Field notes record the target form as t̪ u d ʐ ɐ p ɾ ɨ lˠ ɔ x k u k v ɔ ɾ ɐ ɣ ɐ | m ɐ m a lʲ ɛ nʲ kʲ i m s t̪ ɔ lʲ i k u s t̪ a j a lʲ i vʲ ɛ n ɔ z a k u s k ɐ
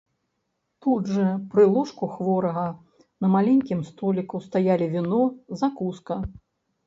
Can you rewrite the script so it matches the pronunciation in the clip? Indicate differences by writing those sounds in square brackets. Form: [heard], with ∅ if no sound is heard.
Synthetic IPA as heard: t̪ u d ʐ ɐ p ɾ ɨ lˠ ɔ [ʂ] k u [x] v ɔ ɾ ɐ ɣ ɐ | [n] ɐ m a lʲ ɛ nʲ kʲ i m s t̪ ɔ lʲ i k u s t̪ a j a lʲ i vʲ [i] n ɔ z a k u s k ɐ